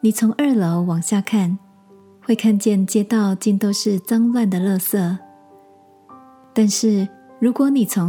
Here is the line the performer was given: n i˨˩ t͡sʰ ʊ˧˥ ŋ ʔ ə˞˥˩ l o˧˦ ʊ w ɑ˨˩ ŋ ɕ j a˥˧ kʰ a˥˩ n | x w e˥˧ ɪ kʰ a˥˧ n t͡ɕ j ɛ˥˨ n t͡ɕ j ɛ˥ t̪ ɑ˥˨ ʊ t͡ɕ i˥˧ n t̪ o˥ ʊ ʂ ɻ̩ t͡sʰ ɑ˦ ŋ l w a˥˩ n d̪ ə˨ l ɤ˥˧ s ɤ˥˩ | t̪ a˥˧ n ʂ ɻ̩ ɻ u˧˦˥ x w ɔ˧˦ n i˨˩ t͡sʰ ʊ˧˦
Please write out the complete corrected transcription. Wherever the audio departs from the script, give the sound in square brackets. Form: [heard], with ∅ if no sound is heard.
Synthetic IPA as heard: n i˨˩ t͡sʰ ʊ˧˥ ŋ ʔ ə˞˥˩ l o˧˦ ʊ w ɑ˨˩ ŋ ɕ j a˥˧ kʰ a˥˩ n | x w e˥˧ ɪ kʰ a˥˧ n t͡ɕ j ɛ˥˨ n t͡ɕ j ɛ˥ t̪ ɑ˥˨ ʊ t͡ɕ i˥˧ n t̪ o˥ ʊ ʂ ɻ̩ [t͡s] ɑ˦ ŋ l w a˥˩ n d̪ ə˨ l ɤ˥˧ s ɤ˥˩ | t̪ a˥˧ n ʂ ɻ̩ ɻ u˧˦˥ [k] w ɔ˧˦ n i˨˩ t͡sʰ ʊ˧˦